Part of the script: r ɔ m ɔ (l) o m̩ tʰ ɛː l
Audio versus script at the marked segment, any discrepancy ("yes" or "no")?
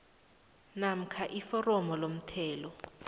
no